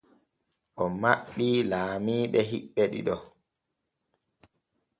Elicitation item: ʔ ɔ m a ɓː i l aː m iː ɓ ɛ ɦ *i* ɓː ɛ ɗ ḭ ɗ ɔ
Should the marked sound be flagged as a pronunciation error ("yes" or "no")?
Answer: no